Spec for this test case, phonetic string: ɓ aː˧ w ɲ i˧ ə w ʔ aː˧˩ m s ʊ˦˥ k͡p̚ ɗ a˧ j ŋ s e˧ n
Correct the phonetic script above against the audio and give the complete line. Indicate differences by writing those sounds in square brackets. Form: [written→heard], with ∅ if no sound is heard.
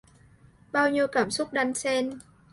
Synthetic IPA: ɓ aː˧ w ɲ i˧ ə w [ʔ→k] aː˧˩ m s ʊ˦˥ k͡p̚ ɗ a˧ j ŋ s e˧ n